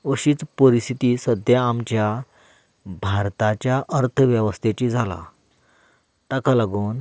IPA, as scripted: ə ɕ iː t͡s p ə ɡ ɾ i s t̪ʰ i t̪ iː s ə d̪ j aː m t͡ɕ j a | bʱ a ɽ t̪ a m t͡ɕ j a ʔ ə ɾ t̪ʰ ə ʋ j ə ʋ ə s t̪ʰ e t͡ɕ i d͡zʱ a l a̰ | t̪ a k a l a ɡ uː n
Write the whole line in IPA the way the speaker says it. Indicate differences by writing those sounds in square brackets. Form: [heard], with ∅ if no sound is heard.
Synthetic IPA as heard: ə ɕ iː t͡s p ə [∅] ɾ i s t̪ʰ i t̪ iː s ə d̪ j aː m t͡ɕ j a | bʱ a [ɾ] t̪ a [∅] t͡ɕ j a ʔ ə ɾ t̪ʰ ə ʋ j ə ʋ ə s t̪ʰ e t͡ɕ i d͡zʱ a l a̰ | t̪ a k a l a ɡ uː n